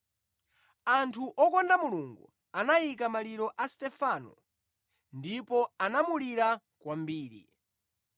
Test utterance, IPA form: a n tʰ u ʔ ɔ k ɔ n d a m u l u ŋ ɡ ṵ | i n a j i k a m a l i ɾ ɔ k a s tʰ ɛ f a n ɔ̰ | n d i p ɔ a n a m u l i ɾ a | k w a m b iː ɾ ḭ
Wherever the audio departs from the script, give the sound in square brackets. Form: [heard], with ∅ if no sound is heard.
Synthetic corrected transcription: a n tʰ u ʔ ɔ k ɔ n d a m u l u ŋ ɡ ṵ | [a] n a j i k a m a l i ɾ ɔ [ʔ] a s [t] ɛ f a n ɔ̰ | n d i p ɔ a n a m u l i ɾ a | k w a m b iː ɾ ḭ